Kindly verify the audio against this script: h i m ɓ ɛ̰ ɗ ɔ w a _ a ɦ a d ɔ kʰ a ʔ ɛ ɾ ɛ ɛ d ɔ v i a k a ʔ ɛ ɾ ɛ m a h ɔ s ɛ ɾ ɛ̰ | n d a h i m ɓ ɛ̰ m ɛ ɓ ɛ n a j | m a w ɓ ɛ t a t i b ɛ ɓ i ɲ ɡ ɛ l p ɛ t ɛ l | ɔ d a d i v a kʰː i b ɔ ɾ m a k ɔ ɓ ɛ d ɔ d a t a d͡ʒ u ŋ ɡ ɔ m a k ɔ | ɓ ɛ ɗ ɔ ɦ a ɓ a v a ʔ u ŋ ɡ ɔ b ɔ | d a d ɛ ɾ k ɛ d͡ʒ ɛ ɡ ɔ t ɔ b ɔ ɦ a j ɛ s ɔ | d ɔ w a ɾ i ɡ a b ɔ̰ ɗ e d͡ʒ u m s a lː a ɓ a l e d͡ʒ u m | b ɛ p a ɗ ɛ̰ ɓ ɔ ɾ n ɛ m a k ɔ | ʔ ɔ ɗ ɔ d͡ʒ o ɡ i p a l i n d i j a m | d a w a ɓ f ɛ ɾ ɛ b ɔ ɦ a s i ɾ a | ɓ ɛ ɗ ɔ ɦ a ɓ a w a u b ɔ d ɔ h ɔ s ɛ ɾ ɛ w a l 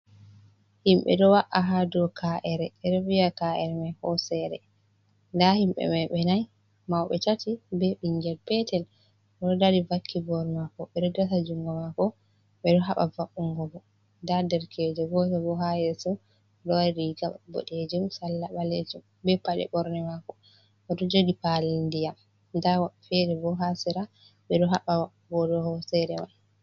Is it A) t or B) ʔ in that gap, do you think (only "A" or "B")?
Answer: B